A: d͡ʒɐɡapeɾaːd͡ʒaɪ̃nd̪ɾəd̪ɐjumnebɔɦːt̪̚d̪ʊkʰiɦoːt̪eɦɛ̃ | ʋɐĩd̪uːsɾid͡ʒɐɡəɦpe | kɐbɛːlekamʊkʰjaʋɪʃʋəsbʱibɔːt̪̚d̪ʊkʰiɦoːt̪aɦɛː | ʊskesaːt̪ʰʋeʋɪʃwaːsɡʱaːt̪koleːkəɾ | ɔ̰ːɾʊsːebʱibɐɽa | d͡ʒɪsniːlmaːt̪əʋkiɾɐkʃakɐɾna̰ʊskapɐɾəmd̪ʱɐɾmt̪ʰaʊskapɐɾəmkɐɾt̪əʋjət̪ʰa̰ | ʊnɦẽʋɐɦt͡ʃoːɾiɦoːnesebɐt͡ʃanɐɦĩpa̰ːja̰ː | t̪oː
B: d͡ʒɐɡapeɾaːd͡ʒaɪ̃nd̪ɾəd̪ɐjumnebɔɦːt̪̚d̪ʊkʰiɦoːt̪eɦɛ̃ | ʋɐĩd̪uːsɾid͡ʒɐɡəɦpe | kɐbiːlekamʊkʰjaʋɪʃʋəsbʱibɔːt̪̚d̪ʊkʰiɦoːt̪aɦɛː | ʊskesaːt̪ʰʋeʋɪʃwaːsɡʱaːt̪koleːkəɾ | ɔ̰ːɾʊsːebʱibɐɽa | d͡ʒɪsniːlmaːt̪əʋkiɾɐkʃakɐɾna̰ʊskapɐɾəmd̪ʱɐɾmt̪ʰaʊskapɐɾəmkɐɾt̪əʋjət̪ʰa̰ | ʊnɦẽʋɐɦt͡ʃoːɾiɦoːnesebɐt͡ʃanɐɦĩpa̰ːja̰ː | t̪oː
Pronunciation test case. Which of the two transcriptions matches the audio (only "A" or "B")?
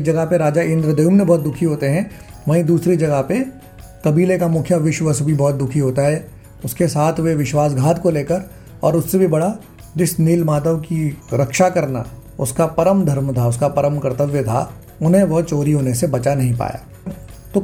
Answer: B